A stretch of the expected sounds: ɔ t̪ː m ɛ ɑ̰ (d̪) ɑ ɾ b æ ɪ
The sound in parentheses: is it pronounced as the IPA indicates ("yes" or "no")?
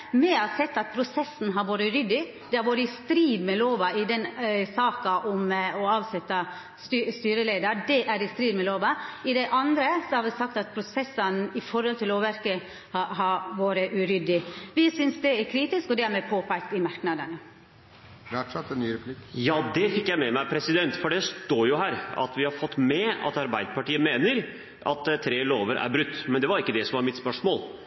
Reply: no